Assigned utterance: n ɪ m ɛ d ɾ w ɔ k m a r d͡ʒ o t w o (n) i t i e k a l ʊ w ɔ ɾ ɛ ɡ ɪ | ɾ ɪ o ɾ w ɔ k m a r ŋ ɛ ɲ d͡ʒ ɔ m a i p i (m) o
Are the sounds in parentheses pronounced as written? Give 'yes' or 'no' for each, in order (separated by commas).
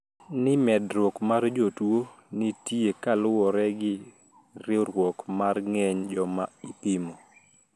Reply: yes, yes